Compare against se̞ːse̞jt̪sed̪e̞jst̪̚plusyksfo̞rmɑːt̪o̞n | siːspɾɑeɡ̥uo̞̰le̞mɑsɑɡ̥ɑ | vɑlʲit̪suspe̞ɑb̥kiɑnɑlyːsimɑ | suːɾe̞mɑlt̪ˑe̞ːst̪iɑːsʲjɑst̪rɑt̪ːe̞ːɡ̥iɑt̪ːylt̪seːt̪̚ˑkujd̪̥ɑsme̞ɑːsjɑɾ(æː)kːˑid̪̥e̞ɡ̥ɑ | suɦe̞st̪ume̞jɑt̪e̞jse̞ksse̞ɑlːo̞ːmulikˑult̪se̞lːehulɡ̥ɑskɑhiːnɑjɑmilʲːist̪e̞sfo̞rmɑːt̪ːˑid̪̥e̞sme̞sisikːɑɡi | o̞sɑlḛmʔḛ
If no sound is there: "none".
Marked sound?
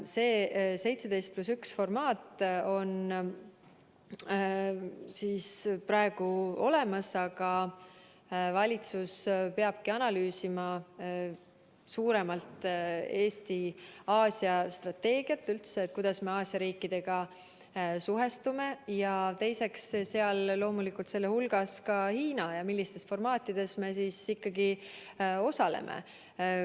iː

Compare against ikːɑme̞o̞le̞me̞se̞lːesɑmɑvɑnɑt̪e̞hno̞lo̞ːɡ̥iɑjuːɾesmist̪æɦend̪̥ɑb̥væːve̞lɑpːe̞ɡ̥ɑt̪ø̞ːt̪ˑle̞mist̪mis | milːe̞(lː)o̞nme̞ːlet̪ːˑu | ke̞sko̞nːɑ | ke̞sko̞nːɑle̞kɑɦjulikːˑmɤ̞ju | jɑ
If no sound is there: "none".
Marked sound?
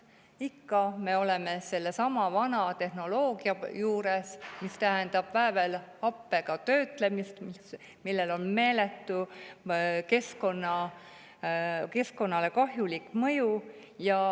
l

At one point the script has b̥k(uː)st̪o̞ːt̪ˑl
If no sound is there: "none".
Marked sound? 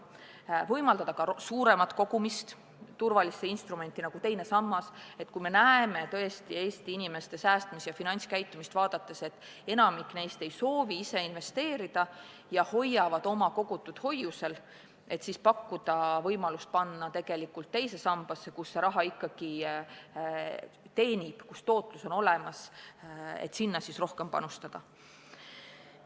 u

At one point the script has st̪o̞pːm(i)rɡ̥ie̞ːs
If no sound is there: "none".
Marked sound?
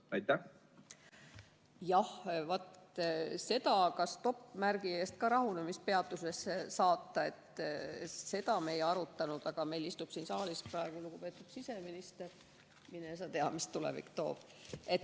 æ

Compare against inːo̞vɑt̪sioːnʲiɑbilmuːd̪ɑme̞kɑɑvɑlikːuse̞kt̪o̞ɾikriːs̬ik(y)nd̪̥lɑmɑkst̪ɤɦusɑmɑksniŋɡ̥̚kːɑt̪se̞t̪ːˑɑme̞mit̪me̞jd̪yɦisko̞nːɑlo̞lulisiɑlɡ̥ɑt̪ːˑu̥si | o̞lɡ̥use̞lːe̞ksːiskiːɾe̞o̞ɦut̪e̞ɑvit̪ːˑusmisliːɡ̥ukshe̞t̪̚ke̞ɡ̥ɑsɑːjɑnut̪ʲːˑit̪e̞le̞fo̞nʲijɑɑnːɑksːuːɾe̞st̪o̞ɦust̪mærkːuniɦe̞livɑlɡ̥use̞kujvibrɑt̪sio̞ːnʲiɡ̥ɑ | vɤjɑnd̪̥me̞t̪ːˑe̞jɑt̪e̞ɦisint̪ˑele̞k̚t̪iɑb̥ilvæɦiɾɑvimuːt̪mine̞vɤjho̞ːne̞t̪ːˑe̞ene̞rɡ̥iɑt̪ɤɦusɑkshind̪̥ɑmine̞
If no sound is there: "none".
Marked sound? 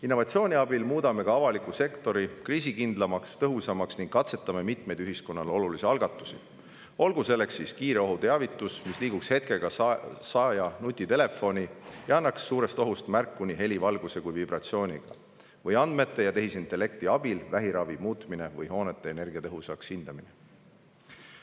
i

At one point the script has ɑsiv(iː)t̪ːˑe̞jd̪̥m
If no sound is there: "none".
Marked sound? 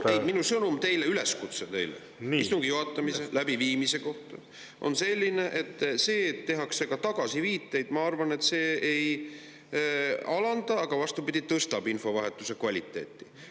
iː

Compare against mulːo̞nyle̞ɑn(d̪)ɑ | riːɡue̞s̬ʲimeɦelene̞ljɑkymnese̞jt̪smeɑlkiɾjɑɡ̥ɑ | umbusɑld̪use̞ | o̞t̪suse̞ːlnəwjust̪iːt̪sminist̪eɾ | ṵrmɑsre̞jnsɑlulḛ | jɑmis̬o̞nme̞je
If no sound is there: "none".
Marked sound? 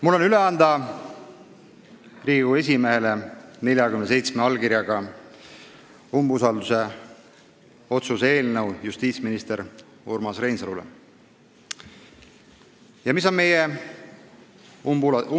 d̪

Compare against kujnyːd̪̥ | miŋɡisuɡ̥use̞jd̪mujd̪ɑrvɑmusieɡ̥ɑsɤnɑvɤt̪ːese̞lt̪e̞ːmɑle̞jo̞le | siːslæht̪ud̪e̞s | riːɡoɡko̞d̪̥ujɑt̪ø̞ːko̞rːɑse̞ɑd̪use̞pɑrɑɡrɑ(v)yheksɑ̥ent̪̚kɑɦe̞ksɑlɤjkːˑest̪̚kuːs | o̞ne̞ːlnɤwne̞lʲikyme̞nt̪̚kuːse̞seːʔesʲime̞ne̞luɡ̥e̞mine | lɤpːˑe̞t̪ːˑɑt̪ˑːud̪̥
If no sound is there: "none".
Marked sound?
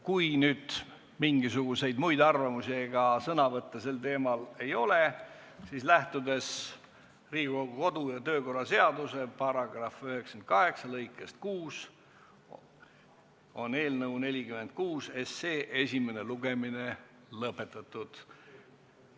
f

